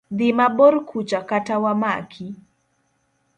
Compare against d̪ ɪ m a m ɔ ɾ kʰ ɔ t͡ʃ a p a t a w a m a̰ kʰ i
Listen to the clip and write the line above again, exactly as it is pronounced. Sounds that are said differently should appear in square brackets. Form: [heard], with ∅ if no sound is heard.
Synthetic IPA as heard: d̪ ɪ m a [b] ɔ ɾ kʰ [u] t͡ʃ a [k] a t a w a m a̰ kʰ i